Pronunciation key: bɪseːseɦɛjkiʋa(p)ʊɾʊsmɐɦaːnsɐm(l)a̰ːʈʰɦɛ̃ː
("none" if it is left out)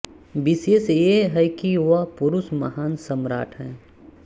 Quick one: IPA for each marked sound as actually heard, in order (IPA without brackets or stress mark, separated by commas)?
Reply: p, ɾ